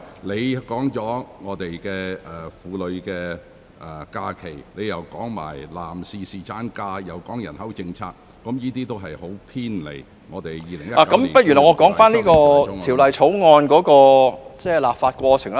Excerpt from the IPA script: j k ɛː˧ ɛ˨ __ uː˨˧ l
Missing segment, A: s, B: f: B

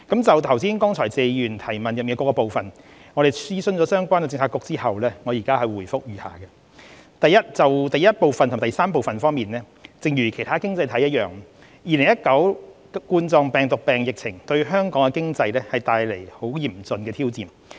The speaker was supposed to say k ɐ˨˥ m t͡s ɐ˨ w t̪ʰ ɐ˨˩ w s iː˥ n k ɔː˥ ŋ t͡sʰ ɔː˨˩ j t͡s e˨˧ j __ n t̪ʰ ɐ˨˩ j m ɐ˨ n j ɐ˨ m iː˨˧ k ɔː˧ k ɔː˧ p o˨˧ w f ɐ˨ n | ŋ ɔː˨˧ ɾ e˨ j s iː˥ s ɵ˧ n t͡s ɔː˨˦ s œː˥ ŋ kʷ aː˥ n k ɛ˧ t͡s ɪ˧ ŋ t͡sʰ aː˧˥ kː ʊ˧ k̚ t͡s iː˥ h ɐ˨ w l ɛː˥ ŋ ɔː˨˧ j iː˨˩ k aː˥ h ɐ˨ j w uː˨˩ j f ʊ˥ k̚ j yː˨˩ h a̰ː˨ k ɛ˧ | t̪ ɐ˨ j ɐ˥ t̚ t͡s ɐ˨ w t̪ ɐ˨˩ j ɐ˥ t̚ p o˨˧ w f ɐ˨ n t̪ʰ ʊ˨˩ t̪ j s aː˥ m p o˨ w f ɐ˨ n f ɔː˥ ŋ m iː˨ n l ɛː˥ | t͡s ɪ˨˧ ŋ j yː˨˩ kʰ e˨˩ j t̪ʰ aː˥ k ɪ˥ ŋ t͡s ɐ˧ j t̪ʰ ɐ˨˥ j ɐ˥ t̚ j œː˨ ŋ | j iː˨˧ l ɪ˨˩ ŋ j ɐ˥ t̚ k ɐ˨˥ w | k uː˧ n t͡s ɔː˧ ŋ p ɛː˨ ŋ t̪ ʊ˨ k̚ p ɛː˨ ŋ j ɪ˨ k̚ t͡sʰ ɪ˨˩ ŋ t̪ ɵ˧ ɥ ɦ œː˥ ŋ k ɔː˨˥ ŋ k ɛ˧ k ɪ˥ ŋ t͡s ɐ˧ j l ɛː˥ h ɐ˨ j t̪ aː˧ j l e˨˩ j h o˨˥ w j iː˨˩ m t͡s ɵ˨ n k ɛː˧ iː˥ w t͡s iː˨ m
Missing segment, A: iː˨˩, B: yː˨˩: B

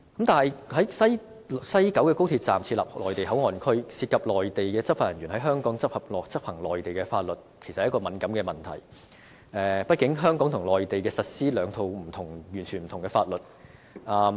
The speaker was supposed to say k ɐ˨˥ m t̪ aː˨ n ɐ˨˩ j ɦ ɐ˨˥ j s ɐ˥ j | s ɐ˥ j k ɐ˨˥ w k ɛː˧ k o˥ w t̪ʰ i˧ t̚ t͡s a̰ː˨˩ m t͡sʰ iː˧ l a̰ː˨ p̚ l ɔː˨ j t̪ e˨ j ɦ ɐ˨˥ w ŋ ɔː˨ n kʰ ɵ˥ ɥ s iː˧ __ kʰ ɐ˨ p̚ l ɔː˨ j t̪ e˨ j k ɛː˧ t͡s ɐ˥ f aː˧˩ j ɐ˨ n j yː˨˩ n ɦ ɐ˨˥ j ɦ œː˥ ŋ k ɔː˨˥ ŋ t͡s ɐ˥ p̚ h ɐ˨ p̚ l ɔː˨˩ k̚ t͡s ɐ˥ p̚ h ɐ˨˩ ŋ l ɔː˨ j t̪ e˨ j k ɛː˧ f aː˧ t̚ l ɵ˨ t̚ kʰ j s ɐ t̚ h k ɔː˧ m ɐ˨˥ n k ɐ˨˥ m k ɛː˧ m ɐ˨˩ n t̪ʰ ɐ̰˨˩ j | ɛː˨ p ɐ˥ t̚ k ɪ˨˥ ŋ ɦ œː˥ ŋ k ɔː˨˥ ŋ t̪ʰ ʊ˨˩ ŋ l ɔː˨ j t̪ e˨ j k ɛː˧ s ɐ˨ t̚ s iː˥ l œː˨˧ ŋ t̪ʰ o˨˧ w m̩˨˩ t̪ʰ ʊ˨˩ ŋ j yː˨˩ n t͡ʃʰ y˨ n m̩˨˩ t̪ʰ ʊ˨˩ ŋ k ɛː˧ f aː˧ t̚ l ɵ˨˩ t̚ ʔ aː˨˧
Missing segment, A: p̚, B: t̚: B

